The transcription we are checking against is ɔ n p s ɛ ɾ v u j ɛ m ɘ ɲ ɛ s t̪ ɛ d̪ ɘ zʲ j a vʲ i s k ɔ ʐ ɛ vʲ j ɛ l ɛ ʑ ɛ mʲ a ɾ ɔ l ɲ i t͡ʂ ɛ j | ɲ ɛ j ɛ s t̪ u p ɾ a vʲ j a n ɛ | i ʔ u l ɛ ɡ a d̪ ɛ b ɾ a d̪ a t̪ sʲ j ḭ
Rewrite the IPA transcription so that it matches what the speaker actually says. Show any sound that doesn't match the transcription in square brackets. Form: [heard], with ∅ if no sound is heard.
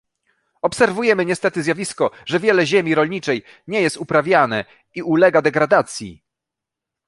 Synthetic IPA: ɔ [∅] p s ɛ ɾ v u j ɛ m ɘ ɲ ɛ s t̪ ɛ [t̪] ɘ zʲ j a vʲ i s k ɔ ʐ ɛ vʲ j ɛ l ɛ ʑ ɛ mʲ [i] ɾ ɔ l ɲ i t͡ʂ ɛ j | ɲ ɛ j ɛ s t̪ u p ɾ a vʲ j a n ɛ | i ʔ u l ɛ ɡ a d̪ ɛ [ɡ] ɾ a d̪ a t̪ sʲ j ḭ